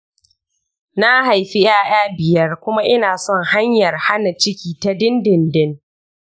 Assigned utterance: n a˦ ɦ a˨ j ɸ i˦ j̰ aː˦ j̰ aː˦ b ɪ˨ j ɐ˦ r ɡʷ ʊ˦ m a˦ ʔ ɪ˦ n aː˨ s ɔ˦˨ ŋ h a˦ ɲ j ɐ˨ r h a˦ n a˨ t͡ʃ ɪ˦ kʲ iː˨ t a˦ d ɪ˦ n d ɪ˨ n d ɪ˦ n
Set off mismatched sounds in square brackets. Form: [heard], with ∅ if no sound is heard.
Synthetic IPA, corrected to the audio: n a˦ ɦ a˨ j ɸ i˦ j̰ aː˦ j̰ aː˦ b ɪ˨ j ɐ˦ r [kʷ] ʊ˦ m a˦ ʔ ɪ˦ n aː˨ s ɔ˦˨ ŋ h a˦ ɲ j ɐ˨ r h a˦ n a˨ t͡ʃ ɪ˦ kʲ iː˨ t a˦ d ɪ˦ n d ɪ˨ n d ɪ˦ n

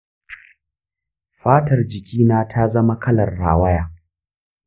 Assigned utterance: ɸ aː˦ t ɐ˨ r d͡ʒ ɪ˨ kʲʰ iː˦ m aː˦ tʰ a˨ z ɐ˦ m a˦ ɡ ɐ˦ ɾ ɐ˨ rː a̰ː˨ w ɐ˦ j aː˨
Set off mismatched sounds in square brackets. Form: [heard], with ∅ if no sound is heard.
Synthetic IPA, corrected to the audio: ɸ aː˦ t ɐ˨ r d͡ʒ ɪ˨ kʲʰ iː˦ [n] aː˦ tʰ [a˦] z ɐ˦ m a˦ [k] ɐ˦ [l] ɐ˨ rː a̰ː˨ w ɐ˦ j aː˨

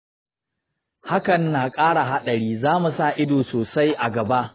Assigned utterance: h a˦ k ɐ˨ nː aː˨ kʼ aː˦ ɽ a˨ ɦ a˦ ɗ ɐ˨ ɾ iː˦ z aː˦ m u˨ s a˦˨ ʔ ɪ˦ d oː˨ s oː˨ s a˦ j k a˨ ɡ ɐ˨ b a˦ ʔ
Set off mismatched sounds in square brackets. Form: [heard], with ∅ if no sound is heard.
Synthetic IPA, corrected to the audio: h a˦ k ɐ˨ nː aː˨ kʼ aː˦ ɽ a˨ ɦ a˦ ɗ ɐ˨ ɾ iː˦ z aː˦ m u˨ s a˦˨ ʔ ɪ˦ d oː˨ s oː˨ s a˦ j [ʔ] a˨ ɡ ɐ˨ b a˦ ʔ

